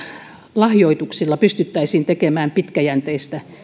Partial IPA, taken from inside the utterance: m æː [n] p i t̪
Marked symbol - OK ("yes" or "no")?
no